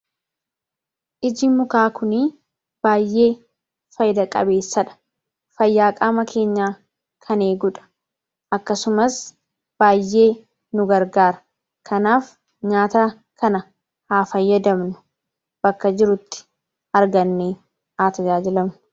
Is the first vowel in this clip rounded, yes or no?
no